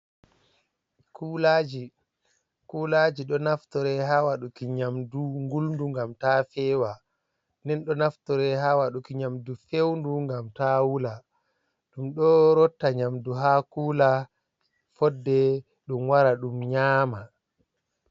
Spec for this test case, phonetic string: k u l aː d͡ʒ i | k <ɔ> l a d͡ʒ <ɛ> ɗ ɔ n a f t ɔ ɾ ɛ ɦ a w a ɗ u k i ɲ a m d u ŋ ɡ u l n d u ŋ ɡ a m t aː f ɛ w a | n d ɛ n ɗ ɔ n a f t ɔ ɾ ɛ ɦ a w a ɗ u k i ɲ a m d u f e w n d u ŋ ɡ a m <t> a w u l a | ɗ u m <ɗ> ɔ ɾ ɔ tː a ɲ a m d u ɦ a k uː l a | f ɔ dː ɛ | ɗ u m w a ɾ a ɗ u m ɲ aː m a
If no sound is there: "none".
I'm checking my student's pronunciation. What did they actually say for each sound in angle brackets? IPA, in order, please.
u, i, t, ɗ

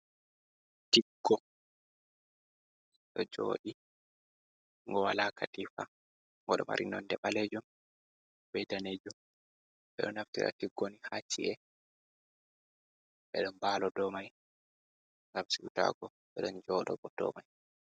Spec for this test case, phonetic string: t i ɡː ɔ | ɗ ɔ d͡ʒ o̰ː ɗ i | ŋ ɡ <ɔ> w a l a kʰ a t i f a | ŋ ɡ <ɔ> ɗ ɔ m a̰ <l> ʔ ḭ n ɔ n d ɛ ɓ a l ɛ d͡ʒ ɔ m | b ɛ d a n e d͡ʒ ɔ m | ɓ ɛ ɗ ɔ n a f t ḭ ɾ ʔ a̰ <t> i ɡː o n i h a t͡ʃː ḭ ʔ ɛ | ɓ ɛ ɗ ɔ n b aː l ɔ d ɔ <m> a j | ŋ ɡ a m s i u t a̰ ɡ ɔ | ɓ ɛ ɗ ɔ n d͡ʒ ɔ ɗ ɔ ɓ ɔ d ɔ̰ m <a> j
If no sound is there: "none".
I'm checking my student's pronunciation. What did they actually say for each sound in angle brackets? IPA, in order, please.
ɔ, ɔ, ɾ, t, m, a

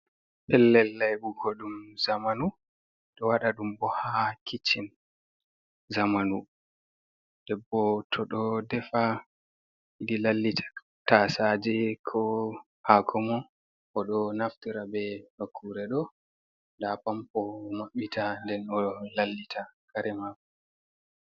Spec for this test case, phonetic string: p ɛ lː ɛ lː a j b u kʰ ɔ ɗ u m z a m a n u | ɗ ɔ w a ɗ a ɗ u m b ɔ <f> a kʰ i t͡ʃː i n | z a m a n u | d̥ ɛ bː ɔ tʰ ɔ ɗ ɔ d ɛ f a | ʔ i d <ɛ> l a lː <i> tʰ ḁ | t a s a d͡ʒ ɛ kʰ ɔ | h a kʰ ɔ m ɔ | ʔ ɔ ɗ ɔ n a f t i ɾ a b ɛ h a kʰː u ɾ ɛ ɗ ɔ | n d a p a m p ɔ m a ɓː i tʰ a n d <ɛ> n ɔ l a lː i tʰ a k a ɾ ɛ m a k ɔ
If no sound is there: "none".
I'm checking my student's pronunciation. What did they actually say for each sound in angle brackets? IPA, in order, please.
h, i, i, ɛ

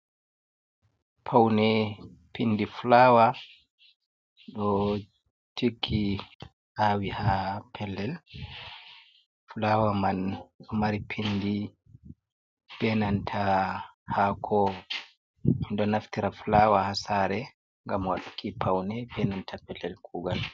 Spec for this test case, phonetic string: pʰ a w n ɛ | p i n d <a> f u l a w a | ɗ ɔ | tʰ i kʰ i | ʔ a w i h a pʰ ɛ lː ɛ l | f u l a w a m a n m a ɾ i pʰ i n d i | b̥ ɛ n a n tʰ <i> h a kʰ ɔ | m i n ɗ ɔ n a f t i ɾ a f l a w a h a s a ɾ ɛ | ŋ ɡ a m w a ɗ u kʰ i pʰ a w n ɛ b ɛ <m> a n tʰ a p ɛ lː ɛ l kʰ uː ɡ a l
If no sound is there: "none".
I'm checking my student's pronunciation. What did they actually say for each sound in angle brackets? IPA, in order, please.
i, a, n

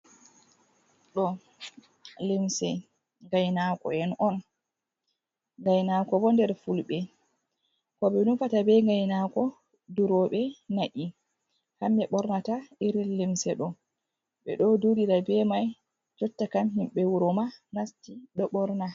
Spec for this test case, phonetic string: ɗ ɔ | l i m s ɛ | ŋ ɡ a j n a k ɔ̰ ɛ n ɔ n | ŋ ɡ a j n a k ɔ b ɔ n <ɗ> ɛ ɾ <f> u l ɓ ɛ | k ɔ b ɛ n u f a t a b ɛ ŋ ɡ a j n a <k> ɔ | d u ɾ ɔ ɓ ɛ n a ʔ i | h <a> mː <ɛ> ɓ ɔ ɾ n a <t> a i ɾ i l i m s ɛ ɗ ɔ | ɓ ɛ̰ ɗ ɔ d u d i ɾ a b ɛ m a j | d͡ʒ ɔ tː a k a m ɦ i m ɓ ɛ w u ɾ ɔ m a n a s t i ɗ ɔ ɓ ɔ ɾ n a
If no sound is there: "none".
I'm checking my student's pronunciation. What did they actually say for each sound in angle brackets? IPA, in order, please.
d, f, k, a, ɛ, t

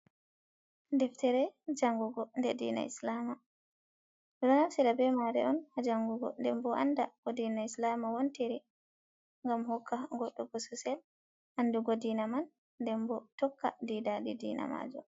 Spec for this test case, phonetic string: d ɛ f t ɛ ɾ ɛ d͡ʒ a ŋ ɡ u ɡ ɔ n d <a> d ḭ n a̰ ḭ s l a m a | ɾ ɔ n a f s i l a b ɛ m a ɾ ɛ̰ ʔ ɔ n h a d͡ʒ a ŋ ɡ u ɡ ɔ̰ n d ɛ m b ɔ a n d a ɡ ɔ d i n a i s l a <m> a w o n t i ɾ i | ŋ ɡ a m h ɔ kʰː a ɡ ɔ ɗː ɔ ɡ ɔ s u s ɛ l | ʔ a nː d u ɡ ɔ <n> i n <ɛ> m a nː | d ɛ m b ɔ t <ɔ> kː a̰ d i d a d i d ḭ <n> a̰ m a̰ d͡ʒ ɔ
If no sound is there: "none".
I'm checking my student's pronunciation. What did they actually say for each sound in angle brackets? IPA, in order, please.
ɛ, m, d, a, ɔ, n

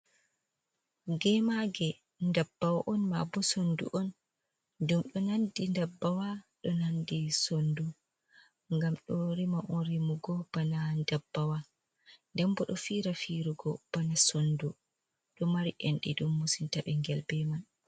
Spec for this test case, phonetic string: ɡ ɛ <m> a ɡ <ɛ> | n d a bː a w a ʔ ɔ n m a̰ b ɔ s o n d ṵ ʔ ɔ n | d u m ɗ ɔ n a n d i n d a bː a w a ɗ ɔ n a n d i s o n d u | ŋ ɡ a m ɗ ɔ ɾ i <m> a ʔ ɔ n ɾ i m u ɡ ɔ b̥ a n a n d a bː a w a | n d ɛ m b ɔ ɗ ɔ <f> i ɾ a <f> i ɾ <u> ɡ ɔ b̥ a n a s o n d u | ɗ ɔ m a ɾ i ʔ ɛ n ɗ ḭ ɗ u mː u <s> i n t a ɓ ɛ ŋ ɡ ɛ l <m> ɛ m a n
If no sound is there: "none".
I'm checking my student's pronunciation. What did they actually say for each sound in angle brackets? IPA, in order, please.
m, ɛ, m, f, f, u, s, b

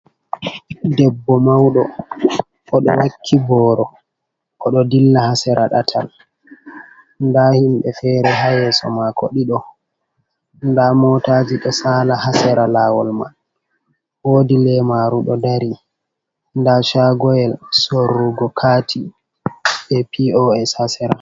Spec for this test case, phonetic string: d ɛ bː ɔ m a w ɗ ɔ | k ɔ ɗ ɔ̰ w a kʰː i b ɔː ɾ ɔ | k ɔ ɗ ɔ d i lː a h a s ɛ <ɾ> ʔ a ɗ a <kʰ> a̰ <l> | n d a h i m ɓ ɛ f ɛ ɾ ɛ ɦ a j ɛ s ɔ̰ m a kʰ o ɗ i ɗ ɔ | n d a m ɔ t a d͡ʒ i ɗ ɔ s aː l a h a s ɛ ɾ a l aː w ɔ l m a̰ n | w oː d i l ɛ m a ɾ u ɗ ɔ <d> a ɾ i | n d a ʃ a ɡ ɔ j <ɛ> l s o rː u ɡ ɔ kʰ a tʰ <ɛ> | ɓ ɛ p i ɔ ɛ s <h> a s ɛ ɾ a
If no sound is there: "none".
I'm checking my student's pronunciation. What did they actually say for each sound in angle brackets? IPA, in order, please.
ɾ, tʰ, l, d, ɛ, i, h

